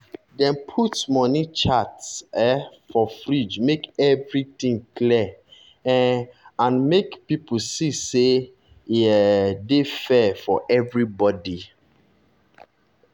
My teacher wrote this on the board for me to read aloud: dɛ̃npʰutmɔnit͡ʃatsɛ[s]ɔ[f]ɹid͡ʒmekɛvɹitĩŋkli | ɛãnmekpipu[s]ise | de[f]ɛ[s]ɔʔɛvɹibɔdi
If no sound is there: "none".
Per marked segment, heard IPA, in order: f, f, s, f, f

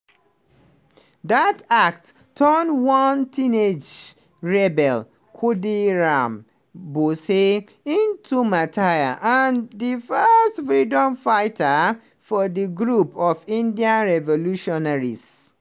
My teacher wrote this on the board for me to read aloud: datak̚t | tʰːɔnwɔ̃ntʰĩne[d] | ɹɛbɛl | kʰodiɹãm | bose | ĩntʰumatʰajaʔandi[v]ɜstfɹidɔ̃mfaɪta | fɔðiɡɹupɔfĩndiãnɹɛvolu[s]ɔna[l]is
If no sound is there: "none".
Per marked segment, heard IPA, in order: d͡ʒ, f, ʃ, ɹ

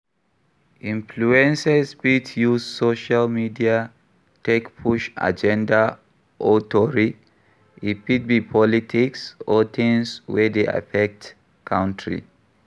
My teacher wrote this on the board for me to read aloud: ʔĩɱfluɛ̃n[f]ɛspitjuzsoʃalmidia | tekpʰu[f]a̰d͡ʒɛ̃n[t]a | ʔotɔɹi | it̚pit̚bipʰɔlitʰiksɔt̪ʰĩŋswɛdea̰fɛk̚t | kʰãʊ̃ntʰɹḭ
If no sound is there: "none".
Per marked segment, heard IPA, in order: s, ʃ, d

